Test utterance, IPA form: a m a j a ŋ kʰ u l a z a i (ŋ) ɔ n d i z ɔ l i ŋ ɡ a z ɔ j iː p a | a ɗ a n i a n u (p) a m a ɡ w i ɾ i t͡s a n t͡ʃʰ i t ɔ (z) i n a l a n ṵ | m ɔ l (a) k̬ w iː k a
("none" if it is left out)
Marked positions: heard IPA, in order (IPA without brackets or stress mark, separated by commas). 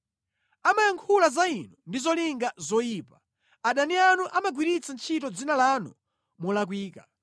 n, ʔ, d͡z, a